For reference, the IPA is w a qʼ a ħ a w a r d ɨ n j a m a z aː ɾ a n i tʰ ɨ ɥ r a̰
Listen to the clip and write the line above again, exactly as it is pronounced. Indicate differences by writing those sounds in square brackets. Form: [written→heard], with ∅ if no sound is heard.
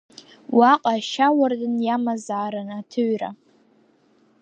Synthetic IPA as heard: w a qʼ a [ħ→ʃ] a w a r d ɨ n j a m a z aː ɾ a n [i→a] tʰ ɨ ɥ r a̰